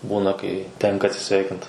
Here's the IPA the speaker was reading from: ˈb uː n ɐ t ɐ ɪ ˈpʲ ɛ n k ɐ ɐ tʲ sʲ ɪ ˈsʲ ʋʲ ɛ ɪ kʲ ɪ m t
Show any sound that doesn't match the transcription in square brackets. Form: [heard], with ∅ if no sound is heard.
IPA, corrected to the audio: ˈb uː n ɐ [k] ɐ ɪ [ˈtʲ] ɛ [ŋ] k ɐ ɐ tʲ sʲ ɪ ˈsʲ ʋʲ ɛ ɪ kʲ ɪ [n] t